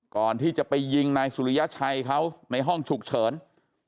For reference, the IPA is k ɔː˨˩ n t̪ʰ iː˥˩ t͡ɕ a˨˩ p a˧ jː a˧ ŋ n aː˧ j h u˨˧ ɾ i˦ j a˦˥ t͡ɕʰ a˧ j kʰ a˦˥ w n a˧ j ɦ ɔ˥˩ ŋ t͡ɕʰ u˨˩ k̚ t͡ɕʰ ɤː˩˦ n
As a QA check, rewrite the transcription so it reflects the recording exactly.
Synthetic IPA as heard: k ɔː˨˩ n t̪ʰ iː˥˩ t͡ɕ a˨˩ p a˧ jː i˧ ŋ n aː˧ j s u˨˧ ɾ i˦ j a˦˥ t͡ɕʰ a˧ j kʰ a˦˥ w n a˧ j ɦ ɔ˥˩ ŋ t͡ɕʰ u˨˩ k̚ t͡ɕʰ ɤː˩˦ n

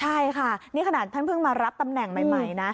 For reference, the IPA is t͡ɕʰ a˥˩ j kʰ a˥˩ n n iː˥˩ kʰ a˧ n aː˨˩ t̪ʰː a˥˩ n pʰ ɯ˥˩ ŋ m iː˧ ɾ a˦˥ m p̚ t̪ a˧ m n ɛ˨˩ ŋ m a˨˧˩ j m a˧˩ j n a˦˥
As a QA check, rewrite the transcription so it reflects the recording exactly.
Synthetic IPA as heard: t͡ɕʰ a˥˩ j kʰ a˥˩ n n iː˥˩ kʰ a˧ n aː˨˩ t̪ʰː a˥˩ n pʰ ɯ˥˩ ŋ m aː˧ ɾ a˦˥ p̚ t̪ a˧ m n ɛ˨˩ ŋ m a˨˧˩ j m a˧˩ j n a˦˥

